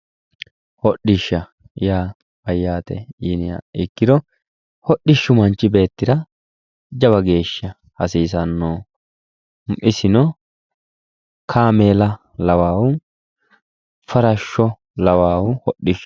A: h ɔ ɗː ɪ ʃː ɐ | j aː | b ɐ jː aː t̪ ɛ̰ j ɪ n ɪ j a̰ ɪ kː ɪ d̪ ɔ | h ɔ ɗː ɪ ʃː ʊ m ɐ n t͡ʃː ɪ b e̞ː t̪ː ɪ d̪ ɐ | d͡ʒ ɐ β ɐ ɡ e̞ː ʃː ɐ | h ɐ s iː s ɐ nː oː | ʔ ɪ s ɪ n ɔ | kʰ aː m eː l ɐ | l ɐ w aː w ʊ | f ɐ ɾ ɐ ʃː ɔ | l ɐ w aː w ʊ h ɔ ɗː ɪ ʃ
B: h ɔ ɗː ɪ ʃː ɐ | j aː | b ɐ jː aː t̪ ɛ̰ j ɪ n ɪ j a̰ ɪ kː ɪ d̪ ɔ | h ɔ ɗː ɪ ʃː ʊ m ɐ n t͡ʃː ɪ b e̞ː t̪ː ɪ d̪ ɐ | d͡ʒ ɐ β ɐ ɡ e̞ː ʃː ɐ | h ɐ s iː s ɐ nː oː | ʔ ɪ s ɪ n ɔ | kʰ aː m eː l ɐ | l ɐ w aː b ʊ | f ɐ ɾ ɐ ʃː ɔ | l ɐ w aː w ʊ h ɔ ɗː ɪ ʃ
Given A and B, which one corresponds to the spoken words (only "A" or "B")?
A